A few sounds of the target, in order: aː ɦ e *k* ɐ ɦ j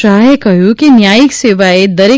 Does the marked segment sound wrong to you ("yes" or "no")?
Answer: no